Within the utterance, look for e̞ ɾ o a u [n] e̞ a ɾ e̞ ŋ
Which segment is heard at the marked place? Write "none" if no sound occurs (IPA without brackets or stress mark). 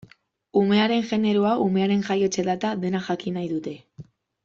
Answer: m